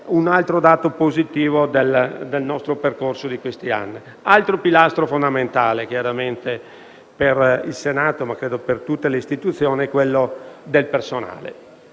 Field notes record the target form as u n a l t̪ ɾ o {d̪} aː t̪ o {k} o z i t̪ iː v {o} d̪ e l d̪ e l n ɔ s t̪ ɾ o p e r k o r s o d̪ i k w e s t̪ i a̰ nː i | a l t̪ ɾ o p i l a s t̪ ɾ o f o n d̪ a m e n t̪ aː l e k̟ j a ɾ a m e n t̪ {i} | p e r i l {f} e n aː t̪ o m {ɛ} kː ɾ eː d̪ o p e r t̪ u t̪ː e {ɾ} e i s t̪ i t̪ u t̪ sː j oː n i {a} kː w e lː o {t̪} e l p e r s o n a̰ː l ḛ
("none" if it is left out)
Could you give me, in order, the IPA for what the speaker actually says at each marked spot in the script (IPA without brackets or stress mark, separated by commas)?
d̪, p, o, e, s, a, l, ɛ, d̪